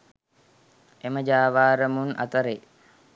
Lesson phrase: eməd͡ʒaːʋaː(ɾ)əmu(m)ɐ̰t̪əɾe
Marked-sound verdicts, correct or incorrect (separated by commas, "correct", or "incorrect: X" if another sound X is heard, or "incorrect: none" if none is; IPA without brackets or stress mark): correct, incorrect: n